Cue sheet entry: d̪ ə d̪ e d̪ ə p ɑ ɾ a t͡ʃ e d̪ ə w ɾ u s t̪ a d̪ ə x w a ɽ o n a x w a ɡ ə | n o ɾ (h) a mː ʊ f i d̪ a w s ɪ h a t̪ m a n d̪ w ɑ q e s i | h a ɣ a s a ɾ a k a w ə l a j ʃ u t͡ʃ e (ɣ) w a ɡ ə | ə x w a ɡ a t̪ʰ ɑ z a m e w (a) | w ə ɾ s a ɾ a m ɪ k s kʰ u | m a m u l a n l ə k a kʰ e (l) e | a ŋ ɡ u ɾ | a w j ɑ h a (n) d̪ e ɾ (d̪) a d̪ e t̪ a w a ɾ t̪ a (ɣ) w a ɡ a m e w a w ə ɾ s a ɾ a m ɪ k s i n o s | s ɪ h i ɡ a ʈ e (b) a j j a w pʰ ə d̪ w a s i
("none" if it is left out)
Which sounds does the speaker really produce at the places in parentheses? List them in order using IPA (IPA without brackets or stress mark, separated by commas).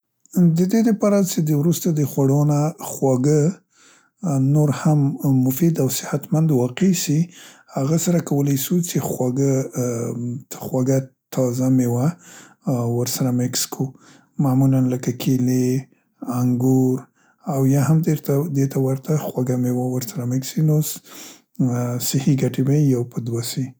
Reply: h, x, a, l, m, t̪, x, b